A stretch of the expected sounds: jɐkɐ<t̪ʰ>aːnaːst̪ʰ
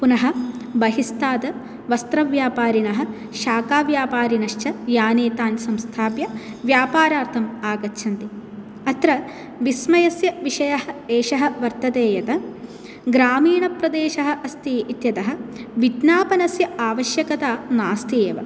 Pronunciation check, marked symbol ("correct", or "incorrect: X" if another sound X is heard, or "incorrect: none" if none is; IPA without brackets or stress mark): incorrect: t̪